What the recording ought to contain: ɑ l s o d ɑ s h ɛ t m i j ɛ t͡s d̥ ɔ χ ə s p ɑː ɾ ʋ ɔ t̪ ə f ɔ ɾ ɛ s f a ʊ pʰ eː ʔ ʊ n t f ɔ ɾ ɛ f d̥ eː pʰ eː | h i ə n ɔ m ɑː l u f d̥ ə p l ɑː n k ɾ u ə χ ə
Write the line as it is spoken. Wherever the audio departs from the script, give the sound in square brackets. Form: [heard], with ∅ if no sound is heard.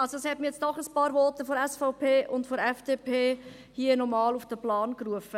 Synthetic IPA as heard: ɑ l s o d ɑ s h ɛ t m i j ɛ t͡s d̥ ɔ χ ə s p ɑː ɾ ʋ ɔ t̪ ə f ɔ ɾ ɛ s f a ʊ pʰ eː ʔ ʊ n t f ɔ ɾ ɛ f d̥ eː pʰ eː | h i ə n ɔ m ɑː l u f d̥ ə p l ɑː n k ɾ u ə [f] ə